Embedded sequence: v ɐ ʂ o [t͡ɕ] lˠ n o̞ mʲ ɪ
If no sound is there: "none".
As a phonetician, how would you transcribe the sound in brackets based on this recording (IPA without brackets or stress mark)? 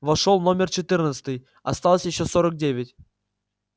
none